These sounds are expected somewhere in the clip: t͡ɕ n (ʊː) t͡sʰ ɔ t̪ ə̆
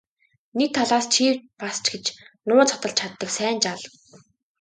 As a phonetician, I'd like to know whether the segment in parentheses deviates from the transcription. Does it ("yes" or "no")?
no